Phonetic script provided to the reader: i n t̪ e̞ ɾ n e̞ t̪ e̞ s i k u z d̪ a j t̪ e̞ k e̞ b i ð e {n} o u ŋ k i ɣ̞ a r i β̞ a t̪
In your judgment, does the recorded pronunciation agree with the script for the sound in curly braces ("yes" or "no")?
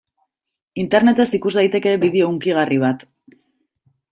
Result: no